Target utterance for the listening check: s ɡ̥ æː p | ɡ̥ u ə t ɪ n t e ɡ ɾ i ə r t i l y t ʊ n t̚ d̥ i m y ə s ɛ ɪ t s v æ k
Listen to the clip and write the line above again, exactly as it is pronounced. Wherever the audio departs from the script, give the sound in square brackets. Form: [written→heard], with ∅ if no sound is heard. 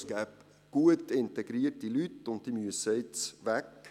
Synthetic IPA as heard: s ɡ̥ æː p | ɡ̥ u ə t ɪ n t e ɡ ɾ i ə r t i l y t ʊ n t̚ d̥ i m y ə s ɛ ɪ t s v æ k